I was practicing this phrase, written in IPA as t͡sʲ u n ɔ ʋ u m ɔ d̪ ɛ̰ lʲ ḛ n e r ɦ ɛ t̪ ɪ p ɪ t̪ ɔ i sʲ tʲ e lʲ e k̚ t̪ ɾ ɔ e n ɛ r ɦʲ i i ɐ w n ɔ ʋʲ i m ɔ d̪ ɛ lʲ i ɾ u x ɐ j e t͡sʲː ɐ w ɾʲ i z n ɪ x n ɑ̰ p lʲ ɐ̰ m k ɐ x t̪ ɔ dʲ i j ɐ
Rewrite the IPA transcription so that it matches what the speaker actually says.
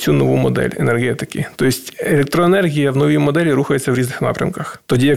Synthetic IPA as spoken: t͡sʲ u n ɔ ʋ u m ɔ d̪ ɛ̰ lʲ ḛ n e r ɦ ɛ t̪ ɪ k ɪ t̪ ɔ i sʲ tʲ e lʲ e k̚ t̪ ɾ ɔ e n ɛ r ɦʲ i j ɐ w n ɔ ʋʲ i m ɔ d̪ ɛ lʲ i ɾ u x ɐ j e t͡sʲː ɐ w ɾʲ i z n ɪ x n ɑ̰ p ɾʲ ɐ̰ m k ɐ x t̪ ɔ dʲ i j ɐ